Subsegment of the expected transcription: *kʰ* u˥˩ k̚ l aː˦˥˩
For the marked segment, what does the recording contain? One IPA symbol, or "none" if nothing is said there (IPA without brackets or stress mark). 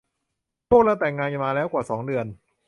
pʰ